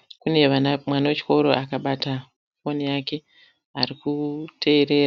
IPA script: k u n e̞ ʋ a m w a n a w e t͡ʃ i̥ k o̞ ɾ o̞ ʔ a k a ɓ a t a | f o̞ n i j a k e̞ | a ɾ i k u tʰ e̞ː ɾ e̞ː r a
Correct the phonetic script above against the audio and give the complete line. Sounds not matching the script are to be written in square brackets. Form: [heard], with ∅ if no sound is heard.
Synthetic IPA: k u n e̞ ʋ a m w a n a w e t͡ʃ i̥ k o̞ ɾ o̞ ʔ a k a ɓ a t a | f o̞ n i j a k e̞ | a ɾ i k u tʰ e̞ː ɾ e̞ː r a